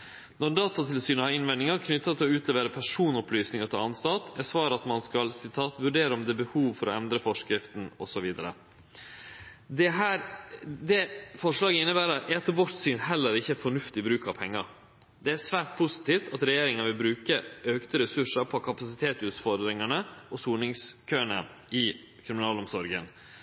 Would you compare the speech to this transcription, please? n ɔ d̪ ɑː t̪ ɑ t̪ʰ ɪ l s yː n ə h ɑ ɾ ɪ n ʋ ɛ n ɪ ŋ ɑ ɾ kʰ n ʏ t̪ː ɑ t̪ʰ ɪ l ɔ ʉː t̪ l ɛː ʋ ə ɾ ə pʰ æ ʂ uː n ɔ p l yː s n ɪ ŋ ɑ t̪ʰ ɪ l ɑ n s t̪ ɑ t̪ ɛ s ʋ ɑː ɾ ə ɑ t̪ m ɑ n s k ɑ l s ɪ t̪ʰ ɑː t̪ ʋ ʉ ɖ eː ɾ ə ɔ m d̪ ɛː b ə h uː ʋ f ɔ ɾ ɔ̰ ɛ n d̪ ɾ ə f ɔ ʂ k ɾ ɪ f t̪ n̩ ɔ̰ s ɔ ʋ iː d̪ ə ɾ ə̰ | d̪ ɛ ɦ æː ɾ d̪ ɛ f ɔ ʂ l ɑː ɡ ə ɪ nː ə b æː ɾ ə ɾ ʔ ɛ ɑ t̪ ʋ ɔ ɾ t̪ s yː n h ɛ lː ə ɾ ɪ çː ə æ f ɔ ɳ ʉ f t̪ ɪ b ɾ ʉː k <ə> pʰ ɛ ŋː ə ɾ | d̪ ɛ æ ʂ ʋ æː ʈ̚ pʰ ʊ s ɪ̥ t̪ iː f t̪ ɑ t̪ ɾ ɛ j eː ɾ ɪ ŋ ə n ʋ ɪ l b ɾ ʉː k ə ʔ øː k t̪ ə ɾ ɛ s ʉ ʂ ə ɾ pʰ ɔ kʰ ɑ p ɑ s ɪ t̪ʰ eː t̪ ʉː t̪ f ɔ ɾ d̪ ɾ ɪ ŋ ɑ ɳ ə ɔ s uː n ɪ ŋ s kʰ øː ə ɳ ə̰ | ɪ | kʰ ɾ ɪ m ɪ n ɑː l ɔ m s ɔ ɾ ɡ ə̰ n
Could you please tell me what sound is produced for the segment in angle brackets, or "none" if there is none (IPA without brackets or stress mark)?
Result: ɑ